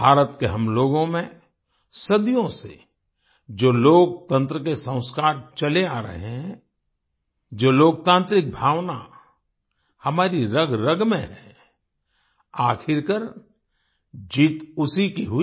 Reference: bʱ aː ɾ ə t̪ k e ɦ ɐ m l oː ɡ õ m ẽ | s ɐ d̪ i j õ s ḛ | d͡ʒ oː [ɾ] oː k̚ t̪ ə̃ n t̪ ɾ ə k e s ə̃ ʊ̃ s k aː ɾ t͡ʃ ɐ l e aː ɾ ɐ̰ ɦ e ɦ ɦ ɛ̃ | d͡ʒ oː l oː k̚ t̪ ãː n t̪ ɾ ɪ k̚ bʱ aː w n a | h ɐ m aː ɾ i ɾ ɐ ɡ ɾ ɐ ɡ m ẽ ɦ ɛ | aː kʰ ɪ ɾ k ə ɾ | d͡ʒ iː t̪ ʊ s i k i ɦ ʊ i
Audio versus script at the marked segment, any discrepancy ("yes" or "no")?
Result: yes